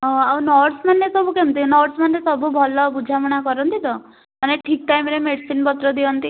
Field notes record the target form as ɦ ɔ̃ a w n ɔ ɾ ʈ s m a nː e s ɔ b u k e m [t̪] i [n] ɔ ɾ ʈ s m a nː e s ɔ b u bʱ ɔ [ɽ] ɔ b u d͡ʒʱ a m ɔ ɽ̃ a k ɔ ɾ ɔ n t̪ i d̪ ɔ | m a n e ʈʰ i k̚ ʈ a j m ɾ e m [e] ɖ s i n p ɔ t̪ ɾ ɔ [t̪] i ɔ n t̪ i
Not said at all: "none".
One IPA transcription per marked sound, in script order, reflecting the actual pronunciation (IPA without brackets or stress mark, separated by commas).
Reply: t̪, n, l, e, d̪